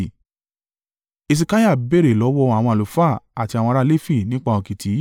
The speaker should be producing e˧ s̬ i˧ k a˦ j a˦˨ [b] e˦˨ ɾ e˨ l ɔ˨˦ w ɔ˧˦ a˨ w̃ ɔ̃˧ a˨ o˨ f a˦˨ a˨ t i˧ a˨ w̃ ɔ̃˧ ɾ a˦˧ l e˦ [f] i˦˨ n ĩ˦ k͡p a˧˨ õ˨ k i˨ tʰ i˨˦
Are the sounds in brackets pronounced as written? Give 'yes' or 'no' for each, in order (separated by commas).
yes, yes